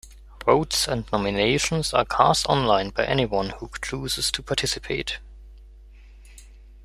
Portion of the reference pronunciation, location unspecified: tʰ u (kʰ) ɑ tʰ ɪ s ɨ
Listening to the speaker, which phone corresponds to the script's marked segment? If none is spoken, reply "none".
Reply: pʰ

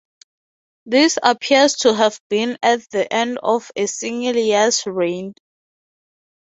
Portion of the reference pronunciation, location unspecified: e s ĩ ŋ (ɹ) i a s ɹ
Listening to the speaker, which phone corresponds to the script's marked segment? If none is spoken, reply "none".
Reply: l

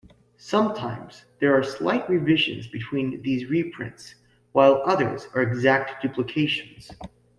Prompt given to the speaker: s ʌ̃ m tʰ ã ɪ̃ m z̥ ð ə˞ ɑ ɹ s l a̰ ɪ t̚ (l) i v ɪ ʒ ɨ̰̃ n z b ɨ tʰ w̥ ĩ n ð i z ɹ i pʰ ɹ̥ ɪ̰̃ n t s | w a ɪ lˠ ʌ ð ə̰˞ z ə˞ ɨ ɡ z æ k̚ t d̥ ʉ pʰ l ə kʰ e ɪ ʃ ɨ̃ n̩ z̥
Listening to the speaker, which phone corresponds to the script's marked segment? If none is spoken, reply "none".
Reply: ɹ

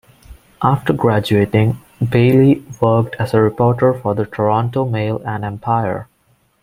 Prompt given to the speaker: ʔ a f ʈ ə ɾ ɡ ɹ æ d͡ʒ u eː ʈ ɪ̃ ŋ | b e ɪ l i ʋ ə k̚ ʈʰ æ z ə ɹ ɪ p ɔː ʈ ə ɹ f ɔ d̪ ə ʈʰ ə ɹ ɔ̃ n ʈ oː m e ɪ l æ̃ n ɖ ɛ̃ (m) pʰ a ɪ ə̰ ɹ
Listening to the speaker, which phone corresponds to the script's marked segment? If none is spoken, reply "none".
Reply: m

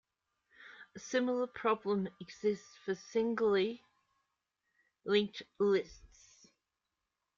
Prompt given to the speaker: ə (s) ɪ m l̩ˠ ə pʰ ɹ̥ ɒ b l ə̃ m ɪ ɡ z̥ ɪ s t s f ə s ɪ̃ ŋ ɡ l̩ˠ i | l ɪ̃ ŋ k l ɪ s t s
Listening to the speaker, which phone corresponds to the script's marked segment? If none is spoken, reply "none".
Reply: s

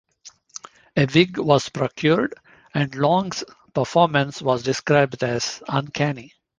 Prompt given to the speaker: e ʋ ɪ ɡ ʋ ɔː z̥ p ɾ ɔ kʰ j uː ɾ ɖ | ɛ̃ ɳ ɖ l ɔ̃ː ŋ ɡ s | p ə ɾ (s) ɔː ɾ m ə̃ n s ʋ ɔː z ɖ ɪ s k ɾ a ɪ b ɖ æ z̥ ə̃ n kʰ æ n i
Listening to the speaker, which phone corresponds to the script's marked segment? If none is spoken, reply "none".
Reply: f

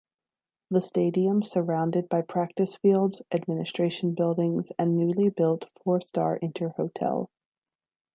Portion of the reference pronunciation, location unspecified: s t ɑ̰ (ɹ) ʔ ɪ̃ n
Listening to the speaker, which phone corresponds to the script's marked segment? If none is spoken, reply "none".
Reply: ɹ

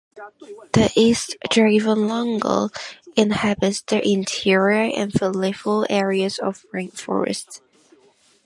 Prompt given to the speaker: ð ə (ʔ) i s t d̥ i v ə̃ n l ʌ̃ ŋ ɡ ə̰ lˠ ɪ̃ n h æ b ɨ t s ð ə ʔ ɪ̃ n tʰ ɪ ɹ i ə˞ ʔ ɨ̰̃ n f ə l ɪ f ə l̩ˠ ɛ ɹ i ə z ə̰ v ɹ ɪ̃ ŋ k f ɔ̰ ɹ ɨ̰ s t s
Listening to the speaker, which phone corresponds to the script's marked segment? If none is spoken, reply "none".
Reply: ʔ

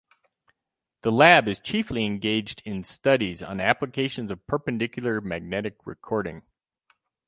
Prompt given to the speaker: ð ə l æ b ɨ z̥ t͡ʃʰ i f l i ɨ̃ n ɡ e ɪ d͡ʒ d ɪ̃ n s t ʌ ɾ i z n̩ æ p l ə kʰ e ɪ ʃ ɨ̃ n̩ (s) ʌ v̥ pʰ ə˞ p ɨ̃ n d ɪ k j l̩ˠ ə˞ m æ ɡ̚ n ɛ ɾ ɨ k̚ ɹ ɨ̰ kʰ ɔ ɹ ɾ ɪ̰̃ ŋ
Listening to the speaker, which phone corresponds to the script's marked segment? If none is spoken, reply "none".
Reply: z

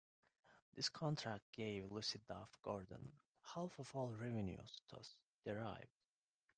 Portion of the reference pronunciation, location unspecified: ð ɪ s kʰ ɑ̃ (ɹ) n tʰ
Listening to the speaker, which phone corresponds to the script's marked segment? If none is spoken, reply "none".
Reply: none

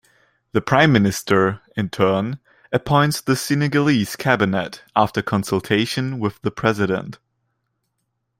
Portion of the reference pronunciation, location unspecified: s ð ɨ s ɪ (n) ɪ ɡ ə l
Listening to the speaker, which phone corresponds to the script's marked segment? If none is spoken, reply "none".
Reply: n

